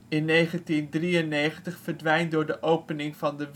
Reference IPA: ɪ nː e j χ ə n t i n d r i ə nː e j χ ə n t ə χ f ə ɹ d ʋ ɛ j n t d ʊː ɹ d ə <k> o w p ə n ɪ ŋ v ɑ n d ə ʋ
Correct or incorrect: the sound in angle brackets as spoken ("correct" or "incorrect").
incorrect